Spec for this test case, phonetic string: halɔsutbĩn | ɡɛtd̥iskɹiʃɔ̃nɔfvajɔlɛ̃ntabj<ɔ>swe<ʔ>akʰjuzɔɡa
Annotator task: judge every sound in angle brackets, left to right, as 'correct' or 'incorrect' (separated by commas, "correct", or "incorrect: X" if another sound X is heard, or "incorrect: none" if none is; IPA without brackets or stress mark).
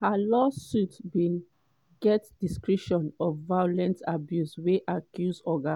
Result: incorrect: u, correct